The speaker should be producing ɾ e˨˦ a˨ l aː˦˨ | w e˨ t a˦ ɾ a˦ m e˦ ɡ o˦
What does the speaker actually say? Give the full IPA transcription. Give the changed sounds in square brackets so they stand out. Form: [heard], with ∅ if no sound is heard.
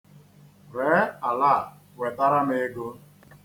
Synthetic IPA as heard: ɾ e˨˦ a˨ l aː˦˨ | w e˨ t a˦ ɾ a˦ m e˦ ɡ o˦